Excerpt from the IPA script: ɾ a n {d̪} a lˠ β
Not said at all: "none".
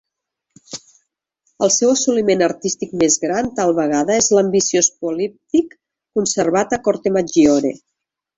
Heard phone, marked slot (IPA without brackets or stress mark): t̪